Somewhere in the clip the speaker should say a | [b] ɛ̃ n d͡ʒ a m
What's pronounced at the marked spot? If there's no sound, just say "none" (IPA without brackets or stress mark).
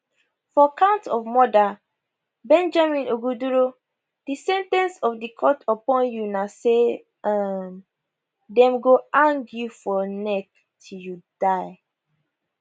b